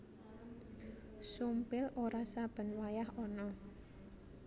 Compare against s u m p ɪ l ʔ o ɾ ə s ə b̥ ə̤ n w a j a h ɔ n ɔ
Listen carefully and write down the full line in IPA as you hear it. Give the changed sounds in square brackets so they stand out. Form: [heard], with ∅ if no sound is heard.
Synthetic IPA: s u m p ɪ l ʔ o ɾ [a] s [a] b̥ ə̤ n w a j a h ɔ n ɔ